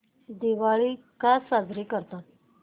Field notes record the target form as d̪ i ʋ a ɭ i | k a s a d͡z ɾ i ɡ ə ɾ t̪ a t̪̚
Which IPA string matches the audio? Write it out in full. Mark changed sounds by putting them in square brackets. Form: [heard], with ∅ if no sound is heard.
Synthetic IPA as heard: d̪ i ʋ a ɭ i | k a s a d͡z ɾ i [k] ə ɾ t̪ a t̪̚